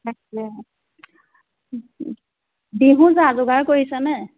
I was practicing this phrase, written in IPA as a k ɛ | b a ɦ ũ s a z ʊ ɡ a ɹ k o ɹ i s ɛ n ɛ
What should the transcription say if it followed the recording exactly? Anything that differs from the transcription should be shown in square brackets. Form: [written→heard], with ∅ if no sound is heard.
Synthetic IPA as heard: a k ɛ | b [a→i] ɦ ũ [s→z] a z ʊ ɡ a ɹ k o ɹ i s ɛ n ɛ